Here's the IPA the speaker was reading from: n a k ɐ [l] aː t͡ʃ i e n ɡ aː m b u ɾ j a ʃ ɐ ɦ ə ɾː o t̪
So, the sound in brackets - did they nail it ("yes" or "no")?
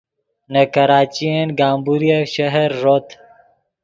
no